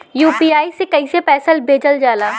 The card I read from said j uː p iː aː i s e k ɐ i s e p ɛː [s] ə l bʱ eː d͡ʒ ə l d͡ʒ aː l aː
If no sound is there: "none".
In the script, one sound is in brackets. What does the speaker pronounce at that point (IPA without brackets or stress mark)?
s